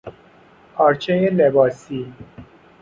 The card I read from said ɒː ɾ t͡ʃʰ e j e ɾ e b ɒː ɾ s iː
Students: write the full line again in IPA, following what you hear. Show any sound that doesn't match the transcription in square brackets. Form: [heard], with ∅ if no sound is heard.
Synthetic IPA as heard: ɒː ɾ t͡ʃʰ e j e [l] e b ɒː [∅] s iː

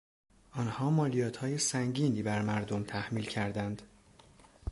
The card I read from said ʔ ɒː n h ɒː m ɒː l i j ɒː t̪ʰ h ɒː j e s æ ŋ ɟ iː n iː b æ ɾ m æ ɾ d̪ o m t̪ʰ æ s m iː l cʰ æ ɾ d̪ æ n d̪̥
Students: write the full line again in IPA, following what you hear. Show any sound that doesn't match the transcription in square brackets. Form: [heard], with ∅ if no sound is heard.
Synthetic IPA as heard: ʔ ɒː n h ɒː m ɒː l i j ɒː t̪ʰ h ɒː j e s æ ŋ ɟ iː n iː b æ ɾ m æ ɾ d̪ o m t̪ʰ æ [h] m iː l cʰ æ ɾ d̪ æ n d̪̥

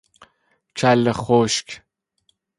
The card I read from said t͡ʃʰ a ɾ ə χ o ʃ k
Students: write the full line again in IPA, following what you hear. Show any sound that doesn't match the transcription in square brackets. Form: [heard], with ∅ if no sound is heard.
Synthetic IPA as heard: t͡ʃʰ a [l] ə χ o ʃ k

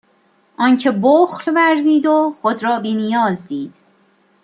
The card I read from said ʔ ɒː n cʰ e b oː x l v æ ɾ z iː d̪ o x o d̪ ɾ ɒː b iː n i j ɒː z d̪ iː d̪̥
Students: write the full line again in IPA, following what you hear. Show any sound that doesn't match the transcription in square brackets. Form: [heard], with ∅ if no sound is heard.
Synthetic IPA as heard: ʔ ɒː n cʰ e b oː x l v æ ɾ z iː d̪ o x o d̪ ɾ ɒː b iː n i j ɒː z d̪ iː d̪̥

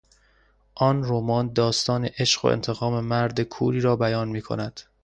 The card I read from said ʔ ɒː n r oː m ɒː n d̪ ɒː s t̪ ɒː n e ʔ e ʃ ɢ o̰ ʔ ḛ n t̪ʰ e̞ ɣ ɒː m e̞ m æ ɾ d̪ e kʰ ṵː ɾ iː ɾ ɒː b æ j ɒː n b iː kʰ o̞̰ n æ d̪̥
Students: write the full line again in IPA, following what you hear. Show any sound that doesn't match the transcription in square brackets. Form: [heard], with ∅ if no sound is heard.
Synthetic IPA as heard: ʔ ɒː n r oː m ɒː n d̪ ɒː s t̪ ɒː n e ʔ e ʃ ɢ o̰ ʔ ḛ n t̪ʰ e̞ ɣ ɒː m e̞ m æ ɾ d̪ e kʰ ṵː ɾ iː ɾ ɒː b æ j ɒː n [m] iː kʰ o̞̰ n æ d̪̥

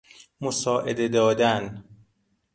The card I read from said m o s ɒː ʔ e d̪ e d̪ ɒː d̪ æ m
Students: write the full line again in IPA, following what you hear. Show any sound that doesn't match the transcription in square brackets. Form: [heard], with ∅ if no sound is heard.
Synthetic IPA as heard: m o s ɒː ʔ e d̪ e d̪ ɒː d̪ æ [n]

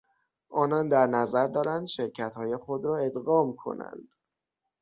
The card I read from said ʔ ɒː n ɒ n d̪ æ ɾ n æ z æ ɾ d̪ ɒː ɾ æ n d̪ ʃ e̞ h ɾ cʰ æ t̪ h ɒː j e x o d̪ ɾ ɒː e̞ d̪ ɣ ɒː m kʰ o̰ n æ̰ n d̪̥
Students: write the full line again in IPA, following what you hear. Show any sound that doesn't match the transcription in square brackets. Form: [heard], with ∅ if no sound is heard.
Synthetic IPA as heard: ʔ ɒː n ɒ n d̪ æ ɾ n æ z æ ɾ d̪ ɒː ɾ æ n d̪ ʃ e̞ [∅] ɾ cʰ æ t̪ h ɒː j e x o d̪ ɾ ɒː e̞ d̪ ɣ ɒː m kʰ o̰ n æ̰ n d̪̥

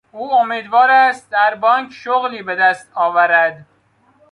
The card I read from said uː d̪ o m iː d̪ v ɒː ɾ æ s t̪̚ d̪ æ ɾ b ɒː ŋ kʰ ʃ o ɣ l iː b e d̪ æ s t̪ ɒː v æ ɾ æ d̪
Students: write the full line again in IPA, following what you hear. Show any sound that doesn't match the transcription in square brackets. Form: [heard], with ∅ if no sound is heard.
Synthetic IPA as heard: uː [∅] o m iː d̪ v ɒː ɾ æ s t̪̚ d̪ æ ɾ b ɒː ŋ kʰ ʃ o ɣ l iː b e d̪ æ s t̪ ɒː v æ ɾ æ d̪

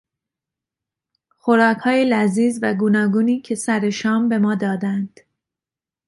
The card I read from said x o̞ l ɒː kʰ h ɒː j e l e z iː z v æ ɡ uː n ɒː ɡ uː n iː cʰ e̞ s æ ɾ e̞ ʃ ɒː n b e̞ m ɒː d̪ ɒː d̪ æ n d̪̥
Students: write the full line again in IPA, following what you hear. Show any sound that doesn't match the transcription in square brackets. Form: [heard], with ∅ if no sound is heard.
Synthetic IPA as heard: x o̞ [ɾ] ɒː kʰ h ɒː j e l [æ] z iː z v æ ɡ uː n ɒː ɡ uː n iː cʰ e̞ s æ ɾ e̞ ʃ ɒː [m] b e̞ m ɒː d̪ ɒː d̪ æ n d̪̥

